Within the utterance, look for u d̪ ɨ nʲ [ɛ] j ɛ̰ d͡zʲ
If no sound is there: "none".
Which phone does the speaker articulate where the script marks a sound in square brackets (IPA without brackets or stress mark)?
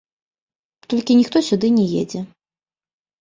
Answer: ɛ